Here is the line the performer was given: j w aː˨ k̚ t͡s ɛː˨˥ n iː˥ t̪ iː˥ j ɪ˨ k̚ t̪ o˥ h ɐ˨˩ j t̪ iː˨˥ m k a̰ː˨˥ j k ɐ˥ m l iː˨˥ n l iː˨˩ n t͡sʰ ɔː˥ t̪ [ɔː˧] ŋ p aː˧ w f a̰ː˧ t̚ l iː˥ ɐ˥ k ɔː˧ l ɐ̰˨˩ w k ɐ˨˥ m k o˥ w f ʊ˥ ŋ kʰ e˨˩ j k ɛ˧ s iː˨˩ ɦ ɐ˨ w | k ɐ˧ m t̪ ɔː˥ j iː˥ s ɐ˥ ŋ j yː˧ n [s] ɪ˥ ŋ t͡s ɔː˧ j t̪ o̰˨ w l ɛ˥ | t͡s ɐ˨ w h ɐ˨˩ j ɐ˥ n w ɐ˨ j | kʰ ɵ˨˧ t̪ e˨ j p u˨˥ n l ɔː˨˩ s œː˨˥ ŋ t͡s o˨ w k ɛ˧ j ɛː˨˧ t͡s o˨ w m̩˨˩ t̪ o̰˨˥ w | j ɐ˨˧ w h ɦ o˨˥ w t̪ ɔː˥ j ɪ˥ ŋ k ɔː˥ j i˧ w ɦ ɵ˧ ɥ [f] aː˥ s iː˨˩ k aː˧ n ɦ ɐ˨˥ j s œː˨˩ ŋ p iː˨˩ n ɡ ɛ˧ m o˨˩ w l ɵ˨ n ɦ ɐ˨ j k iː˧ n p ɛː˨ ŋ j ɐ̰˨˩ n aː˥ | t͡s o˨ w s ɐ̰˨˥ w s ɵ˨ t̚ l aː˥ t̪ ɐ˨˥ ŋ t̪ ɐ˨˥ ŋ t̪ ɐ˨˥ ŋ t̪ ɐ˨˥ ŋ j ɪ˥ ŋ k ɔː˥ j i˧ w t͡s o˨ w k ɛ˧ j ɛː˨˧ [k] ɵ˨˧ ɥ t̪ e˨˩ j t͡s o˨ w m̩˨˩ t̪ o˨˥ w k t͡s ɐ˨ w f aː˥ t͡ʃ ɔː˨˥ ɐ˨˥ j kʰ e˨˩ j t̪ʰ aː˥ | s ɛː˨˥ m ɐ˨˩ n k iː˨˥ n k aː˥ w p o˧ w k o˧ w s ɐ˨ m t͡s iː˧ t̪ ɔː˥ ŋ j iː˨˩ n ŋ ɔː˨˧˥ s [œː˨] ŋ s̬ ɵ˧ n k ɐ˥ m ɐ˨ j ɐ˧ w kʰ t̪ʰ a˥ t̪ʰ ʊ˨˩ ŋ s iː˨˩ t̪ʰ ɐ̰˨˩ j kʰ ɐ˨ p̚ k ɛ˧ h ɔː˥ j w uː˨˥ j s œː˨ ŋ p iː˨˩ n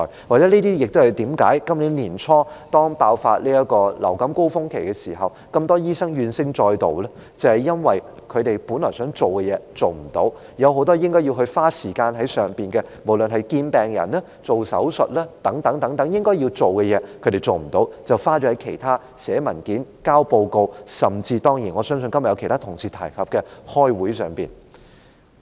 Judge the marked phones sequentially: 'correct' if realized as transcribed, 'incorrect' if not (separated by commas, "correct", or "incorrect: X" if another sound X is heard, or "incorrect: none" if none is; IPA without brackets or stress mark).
incorrect: ɔː˥, correct, correct, incorrect: kʰ, incorrect: œː˥